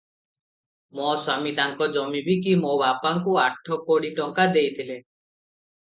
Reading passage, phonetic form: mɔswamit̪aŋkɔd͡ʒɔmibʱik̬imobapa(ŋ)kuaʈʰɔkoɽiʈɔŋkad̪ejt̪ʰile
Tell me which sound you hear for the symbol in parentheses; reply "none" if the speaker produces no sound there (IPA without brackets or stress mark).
ŋ